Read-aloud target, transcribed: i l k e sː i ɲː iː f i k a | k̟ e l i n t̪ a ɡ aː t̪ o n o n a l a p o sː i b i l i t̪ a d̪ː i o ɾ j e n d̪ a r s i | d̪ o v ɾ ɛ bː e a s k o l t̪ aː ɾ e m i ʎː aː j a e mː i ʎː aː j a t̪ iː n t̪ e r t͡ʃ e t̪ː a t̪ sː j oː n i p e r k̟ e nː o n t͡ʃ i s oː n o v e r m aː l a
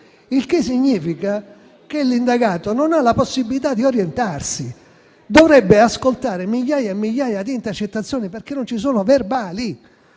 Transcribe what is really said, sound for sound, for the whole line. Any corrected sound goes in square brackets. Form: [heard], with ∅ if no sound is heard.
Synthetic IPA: i l k e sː i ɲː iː f i k a | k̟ e l i n [d̪] a ɡ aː t̪ o n o n a l a p o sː i b i l i t̪ a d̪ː i o ɾ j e n [t̪] a r s i | d̪ o v ɾ ɛ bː e a s k o l t̪ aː ɾ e m i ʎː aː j a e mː i ʎː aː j a [d̪] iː n t̪ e r t͡ʃ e t̪ː a t̪ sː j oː n i p e r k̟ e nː o n t͡ʃ i s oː n o v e r [b] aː l [i]